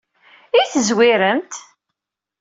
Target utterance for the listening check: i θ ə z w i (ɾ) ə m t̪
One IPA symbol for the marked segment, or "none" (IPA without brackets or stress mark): ɾ